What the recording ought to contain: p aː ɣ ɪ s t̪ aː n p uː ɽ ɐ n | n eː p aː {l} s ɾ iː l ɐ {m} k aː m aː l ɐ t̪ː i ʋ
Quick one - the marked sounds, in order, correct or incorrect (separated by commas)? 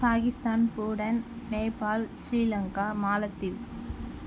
correct, incorrect